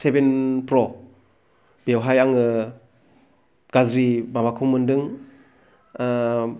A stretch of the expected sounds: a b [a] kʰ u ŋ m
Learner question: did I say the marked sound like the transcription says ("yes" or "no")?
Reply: yes